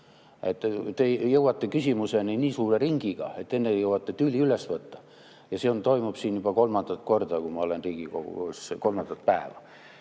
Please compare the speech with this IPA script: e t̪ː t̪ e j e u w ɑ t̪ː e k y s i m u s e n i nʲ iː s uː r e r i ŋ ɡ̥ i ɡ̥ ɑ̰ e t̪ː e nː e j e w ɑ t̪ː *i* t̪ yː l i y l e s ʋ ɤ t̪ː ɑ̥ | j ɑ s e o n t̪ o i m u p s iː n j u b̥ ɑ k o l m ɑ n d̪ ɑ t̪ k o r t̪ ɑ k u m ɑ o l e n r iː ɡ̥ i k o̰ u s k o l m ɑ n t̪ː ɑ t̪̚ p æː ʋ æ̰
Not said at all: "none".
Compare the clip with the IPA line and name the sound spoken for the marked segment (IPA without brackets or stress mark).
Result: e